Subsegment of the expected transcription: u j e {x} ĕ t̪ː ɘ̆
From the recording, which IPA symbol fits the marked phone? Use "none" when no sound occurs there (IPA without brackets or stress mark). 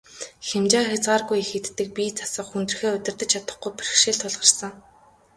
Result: x